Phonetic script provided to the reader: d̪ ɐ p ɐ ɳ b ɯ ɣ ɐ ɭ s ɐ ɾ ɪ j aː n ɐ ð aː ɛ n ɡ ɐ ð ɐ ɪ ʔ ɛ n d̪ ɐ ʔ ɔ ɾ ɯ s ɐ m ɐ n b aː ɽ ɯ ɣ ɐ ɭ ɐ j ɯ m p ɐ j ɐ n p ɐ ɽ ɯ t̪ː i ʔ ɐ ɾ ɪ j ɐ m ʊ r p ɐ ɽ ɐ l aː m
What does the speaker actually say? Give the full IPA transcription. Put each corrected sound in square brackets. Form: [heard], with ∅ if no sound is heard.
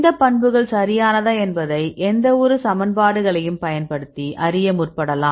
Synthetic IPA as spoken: d̪ ɐ p ɐ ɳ b ɯ ɣ ɐ ɭ s ɐ ɾ ɪ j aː n ɐ ð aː ɛ n [b] ɐ ð ɐ ɪ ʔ ɛ n d̪ ɐ [∅] ɔ ɾ ɯ s ɐ m ɐ n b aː ɽ ɯ ɣ ɐ ɭ ɐ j ɯ m p ɐ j ɐ n p ɐ ɽ ɯ t̪ː i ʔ ɐ ɾ ɪ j ɐ m ʊ r p ɐ ɽ ɐ l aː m